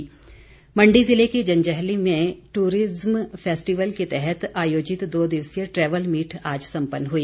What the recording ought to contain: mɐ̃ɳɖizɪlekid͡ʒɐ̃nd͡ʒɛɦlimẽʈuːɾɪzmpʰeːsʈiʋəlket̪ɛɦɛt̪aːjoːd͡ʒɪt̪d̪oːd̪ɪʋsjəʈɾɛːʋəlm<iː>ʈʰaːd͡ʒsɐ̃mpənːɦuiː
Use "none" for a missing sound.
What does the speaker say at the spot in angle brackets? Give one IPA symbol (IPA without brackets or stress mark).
iː